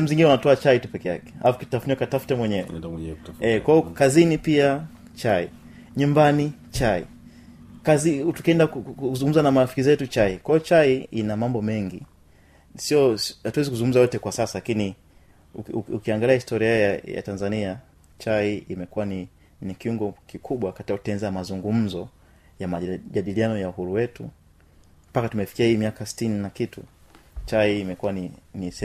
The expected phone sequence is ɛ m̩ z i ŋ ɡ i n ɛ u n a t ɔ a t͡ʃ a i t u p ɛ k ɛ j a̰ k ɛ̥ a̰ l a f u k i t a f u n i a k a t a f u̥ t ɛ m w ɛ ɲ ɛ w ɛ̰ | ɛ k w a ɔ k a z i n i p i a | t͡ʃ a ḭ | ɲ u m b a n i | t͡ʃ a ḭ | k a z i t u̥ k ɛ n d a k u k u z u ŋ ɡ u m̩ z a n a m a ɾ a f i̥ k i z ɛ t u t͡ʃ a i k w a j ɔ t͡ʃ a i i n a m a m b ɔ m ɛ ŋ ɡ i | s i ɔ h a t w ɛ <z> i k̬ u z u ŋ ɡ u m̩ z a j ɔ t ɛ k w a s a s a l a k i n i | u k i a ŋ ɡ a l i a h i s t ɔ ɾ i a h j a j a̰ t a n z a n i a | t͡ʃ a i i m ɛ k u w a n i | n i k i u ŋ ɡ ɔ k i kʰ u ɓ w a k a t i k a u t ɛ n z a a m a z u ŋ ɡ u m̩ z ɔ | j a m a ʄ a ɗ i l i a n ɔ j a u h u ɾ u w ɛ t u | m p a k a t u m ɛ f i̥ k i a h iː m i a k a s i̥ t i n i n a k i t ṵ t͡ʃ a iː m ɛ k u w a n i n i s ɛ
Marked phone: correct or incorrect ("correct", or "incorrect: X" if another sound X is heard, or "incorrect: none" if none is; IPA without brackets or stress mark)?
correct